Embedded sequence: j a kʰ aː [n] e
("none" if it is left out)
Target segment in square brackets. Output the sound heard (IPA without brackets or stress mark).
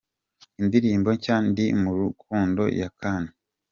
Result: n